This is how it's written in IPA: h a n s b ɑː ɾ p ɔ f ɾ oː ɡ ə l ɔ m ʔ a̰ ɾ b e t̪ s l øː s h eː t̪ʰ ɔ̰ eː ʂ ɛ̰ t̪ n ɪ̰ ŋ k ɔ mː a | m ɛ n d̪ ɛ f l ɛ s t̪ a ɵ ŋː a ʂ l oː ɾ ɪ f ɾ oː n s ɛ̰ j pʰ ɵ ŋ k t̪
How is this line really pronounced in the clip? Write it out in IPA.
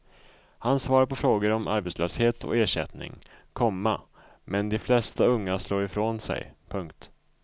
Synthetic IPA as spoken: h a n s v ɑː ɾ p ɔ f ɾ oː ɡ ə ɾ ɔ m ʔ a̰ ɾ b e t̪ s l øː s h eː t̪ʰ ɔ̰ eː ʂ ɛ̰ t̪ n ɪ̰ ŋ kʰ ɔ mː a | m ɛ n d̪ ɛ f l ɛ s t̪ a ɵ ŋː a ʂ l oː ɾ ɪ f ɾ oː n s ɛ̰ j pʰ ɵ ŋ k t̪